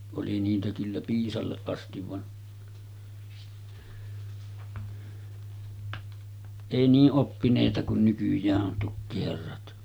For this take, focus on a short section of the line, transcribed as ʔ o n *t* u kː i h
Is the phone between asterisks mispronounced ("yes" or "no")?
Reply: no